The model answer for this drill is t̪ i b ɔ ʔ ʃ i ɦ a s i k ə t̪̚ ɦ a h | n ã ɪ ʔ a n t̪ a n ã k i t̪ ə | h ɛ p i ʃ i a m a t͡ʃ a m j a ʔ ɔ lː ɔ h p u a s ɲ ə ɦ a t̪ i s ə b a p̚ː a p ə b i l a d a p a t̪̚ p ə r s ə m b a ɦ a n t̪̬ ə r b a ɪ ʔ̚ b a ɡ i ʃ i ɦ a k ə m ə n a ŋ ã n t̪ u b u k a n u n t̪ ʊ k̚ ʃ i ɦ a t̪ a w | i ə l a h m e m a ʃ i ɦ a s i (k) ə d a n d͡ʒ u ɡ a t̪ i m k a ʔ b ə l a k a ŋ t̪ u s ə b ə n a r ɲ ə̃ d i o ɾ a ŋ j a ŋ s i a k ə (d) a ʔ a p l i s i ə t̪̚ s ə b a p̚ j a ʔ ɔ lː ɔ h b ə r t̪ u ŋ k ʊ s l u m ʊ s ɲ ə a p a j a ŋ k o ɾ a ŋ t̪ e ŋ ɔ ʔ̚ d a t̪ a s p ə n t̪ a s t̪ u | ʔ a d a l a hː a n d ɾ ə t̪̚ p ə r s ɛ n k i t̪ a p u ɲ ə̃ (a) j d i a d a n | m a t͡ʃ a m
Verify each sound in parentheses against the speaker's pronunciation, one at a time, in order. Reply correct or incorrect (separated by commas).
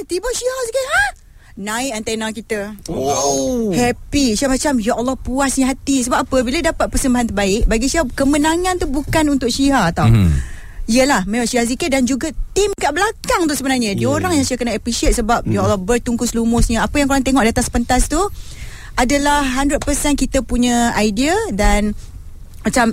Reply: correct, incorrect, correct